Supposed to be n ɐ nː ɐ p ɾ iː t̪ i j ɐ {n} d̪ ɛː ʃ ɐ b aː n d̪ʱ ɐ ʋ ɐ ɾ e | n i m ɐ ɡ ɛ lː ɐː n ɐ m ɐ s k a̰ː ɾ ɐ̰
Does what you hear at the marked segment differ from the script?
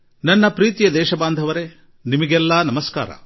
yes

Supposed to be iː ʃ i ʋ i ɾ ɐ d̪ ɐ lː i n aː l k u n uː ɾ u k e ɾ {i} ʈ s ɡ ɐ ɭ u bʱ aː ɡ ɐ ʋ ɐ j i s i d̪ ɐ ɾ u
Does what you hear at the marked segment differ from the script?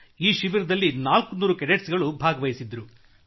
yes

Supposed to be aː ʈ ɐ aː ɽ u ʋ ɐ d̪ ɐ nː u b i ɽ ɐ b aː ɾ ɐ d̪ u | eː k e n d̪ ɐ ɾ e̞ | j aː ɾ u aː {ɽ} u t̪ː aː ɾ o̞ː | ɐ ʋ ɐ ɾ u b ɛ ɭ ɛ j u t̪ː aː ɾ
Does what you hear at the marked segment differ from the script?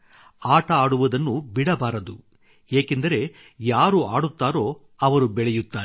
no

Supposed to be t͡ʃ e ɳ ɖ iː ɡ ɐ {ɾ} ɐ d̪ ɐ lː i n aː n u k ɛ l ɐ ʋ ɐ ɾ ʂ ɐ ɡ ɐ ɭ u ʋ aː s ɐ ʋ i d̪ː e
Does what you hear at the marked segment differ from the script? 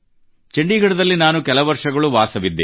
yes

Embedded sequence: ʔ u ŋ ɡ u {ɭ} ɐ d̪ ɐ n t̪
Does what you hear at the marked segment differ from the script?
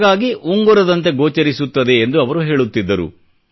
yes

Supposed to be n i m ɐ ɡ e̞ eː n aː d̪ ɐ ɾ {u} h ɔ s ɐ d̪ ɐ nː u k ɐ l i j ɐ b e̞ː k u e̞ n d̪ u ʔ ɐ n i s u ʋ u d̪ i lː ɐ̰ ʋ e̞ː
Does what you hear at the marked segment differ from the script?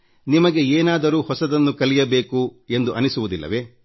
yes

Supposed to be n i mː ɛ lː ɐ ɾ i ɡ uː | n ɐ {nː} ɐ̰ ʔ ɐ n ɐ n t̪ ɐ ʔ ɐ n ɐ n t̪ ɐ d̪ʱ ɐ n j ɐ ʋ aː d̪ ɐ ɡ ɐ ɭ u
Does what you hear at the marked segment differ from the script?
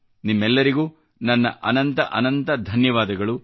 no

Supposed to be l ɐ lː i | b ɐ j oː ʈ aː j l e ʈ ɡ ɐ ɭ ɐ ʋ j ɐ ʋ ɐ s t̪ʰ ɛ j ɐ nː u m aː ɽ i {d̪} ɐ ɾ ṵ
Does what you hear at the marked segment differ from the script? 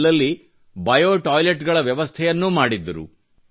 yes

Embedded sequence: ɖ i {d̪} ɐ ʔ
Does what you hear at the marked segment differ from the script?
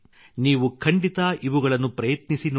yes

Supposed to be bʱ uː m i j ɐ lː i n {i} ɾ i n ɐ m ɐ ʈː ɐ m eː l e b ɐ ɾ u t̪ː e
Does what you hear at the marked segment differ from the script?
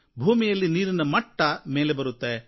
yes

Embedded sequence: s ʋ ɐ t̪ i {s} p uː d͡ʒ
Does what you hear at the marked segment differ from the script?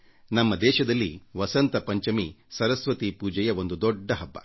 yes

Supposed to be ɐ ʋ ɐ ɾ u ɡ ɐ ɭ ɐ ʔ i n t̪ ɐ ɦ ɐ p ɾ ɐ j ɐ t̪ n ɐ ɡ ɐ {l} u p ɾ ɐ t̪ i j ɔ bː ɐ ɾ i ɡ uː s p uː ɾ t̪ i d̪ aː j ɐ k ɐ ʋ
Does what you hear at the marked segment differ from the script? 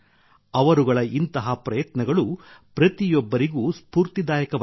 yes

